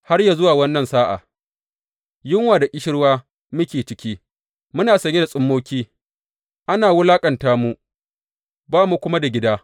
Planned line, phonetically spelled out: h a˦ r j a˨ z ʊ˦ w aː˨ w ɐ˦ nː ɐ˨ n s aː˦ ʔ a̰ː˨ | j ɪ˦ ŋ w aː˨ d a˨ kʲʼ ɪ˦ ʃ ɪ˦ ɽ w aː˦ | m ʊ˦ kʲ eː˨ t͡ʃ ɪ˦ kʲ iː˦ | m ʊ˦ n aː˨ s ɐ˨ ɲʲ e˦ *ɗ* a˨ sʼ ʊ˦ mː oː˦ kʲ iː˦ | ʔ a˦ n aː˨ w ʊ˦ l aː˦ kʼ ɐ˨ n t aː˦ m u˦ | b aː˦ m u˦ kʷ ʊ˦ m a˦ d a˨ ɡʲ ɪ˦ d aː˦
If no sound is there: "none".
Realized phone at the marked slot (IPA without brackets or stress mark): d